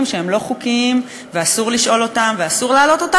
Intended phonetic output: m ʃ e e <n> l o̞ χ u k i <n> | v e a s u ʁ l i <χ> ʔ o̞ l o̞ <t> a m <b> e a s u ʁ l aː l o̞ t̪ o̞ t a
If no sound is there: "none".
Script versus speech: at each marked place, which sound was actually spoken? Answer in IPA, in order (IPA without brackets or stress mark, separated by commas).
m, m, ʃ, t, v